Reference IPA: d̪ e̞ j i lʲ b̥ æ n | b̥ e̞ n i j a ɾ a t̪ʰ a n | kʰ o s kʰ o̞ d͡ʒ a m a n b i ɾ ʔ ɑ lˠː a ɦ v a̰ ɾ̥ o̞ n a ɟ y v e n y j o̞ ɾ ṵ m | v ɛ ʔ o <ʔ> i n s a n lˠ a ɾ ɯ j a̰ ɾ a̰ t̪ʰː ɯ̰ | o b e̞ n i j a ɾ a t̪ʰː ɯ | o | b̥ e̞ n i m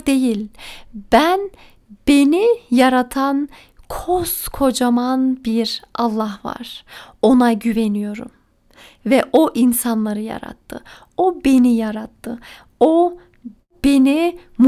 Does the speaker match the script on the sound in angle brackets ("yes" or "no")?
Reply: yes